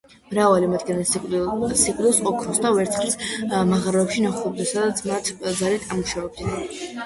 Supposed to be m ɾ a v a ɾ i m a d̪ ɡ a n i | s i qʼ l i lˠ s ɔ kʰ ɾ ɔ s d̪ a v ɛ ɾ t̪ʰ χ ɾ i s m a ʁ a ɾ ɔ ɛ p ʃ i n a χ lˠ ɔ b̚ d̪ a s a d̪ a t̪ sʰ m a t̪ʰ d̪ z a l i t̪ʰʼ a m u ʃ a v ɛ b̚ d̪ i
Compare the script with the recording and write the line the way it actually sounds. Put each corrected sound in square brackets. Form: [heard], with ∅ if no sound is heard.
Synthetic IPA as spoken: m ɾ a v a [l] i m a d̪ ɡ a n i | s i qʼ l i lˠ s ɔ kʰ ɾ ɔ s d̪ a v ɛ ɾ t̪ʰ χ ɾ i s m a ʁ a ɾ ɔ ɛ p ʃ i n a χ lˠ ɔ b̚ d̪ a s a d̪ a t̪ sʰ m a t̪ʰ d̪ z a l i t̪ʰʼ a m u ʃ a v ɛ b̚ d̪ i